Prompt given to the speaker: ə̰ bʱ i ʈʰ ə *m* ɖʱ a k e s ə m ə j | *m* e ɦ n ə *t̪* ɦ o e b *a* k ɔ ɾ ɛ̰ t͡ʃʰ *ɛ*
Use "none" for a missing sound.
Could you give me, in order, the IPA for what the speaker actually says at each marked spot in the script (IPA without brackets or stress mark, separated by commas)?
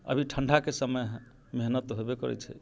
ɳ, m, t̪, e, ɛ